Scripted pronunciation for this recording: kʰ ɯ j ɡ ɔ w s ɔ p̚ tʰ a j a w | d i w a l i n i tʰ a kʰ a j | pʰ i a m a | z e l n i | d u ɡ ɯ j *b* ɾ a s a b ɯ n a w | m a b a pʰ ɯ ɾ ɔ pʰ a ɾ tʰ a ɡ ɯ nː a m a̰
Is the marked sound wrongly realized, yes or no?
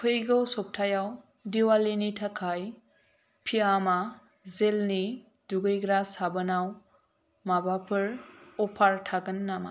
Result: yes